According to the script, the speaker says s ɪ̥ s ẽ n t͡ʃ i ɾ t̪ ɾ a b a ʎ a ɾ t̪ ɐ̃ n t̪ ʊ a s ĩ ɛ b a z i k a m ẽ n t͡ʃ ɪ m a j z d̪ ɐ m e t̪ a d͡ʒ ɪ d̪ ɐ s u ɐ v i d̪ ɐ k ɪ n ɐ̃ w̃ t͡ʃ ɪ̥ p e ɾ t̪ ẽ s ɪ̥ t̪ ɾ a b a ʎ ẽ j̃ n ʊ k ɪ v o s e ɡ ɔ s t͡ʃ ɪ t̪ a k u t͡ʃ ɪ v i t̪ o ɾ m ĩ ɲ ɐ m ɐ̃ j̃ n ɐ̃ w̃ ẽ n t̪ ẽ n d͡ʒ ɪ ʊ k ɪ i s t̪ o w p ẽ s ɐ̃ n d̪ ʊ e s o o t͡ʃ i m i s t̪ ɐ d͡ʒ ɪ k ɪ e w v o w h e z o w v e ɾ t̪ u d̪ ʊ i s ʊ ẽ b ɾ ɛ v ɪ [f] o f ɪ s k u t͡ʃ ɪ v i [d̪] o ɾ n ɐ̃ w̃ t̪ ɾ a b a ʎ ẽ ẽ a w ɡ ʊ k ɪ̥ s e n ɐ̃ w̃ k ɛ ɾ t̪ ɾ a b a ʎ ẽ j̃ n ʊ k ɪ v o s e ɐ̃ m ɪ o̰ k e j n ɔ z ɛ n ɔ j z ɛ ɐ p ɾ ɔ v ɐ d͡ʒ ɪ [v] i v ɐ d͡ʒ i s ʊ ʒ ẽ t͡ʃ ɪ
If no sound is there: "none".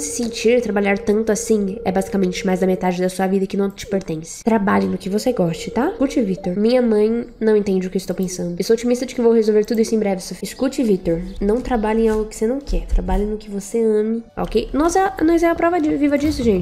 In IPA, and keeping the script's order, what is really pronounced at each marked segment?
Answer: s, t̪, v

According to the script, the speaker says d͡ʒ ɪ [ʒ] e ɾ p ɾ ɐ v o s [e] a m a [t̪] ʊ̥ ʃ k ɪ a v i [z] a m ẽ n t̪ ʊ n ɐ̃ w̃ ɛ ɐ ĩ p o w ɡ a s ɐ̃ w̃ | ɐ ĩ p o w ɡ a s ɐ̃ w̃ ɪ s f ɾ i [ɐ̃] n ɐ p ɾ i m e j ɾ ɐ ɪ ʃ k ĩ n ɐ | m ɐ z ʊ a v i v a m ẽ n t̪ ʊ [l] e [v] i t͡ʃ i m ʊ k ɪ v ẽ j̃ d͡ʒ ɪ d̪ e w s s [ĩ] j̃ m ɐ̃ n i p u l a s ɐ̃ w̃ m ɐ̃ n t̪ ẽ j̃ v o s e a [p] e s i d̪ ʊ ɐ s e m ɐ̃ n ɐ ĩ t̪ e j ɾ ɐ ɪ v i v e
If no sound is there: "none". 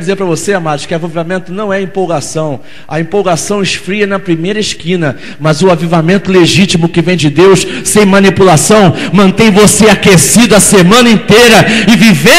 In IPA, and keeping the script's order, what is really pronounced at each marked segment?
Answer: z, e, d̪, v, ɐ, l, ʒ, ẽ, k

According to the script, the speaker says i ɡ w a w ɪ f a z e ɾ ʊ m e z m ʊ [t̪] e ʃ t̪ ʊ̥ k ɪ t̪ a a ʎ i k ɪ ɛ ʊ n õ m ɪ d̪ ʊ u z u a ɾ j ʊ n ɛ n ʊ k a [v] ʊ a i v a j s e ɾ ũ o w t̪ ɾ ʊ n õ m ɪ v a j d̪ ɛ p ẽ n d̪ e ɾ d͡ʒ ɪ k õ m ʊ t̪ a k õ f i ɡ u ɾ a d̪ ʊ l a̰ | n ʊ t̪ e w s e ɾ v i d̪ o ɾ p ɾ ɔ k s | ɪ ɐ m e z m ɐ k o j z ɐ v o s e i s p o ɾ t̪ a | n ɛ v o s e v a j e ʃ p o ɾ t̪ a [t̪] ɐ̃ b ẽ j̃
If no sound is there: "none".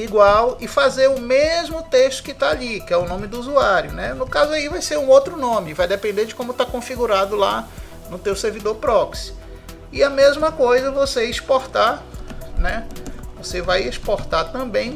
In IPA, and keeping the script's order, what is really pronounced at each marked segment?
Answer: t̪, z, t̪

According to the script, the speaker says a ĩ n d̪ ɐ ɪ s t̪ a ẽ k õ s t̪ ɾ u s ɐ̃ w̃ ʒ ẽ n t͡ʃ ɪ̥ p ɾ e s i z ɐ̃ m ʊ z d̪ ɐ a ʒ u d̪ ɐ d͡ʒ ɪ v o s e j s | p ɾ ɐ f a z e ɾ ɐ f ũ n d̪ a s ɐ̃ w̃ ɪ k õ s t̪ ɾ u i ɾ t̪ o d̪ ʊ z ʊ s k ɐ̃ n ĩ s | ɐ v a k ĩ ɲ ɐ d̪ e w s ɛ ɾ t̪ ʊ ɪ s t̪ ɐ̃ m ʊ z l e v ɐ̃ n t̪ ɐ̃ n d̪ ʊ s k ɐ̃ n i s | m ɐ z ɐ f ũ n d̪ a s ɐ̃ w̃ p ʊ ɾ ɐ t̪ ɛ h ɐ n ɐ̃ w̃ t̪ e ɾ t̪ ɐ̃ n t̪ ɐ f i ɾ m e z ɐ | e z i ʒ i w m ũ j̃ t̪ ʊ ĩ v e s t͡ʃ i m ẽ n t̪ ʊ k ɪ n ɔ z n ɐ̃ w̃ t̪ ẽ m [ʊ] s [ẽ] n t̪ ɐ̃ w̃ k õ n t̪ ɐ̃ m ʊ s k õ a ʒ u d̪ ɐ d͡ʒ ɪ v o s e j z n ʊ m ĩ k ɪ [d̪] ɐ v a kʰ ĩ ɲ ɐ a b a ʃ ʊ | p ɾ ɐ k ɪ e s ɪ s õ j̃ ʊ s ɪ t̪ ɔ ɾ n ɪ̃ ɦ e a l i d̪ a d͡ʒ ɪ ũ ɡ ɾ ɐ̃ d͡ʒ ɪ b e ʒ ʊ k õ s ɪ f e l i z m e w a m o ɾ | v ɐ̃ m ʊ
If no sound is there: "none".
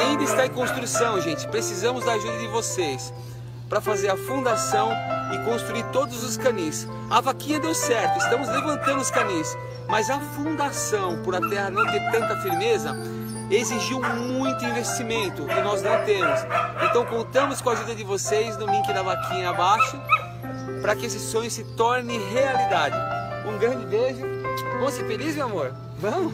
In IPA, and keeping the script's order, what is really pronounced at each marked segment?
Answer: ʊ, ẽ, d̪

